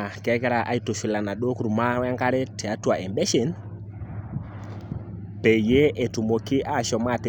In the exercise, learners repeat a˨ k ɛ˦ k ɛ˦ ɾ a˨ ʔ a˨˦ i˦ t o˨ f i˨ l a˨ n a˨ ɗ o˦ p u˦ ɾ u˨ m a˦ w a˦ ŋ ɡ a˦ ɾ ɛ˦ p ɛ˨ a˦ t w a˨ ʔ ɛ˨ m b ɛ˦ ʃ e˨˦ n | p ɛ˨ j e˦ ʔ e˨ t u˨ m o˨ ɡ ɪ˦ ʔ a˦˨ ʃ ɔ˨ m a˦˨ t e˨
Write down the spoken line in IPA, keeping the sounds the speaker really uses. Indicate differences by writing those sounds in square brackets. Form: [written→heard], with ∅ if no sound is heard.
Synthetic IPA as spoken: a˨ k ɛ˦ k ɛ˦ ɾ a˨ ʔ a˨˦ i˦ t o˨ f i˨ l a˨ n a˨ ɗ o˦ [p→k] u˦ ɾ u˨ m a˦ w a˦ ŋ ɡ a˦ ɾ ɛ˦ [p→t] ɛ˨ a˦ t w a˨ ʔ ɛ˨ m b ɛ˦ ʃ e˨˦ n | p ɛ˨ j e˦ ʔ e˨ t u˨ m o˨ [ɡ→k] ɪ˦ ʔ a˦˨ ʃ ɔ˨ m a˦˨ t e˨